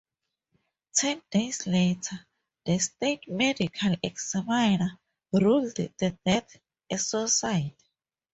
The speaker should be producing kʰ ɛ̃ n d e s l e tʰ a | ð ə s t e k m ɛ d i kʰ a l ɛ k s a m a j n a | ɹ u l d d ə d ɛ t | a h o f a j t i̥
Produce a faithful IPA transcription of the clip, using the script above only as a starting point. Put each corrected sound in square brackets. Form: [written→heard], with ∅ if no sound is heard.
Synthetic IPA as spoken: [kʰ→tʰ] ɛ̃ n d e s l e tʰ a | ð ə s t e [k→t] m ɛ d i kʰ a l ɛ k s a m a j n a | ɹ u l d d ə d ɛ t | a [h→s] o [f→s] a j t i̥